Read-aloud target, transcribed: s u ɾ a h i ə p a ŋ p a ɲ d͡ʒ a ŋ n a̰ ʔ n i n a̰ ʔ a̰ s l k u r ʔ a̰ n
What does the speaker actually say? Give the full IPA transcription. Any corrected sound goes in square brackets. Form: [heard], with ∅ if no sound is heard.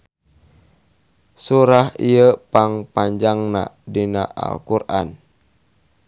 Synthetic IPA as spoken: s u ɾ a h i ə p a ŋ p a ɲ d͡ʒ a ŋ n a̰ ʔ [d] i n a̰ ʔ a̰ [∅] l k u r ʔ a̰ n